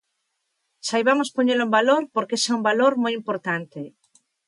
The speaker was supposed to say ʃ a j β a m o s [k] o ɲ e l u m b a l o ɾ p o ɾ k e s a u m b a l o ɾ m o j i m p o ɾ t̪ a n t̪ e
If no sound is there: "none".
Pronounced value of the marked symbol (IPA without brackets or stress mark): p